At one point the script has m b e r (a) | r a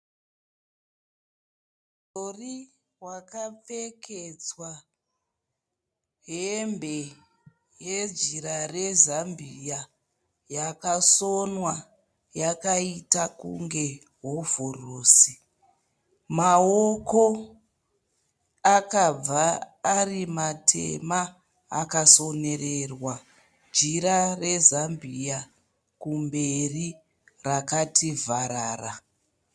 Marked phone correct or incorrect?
incorrect